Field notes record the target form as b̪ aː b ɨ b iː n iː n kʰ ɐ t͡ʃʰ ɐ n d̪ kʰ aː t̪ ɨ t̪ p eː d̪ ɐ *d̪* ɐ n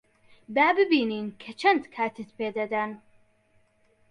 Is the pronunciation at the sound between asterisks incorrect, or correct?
correct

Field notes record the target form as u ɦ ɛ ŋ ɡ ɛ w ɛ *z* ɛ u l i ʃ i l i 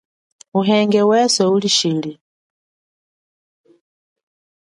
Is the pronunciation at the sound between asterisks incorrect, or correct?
incorrect: s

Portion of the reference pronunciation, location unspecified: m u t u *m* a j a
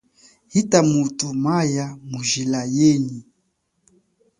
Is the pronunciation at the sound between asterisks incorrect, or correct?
correct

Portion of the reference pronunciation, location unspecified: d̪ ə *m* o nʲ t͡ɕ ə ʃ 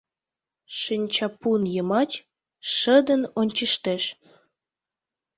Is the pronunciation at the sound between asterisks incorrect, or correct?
incorrect: n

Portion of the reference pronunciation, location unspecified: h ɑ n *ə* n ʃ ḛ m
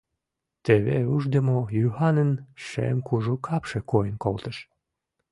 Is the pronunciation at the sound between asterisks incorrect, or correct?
correct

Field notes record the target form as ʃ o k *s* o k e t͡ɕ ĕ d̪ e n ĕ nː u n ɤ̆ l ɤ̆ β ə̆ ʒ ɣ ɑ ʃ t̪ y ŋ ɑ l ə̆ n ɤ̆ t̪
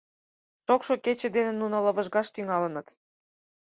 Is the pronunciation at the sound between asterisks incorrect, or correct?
incorrect: ʃ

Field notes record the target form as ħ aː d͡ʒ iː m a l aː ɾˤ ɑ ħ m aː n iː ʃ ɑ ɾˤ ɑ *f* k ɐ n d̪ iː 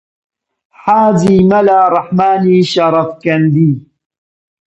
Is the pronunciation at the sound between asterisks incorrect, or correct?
correct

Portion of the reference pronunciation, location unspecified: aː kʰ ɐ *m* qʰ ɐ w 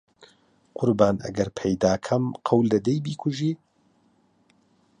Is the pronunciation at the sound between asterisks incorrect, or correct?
correct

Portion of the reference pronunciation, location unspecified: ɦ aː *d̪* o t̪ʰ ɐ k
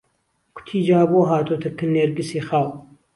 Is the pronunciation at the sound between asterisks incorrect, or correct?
incorrect: t̪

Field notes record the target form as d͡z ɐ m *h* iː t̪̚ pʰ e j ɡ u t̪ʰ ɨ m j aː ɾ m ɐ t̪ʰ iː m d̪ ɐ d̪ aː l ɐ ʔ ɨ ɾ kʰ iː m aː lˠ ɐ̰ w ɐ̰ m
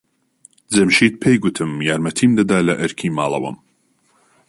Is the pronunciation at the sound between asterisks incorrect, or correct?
incorrect: ʃ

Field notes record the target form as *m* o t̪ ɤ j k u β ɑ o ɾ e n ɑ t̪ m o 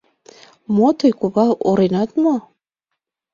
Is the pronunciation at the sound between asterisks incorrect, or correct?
correct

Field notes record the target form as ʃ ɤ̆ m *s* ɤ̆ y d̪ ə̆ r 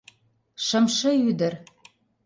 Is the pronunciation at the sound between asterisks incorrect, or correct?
incorrect: ʃ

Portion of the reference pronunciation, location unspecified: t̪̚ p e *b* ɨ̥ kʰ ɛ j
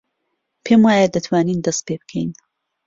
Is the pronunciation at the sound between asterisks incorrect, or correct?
correct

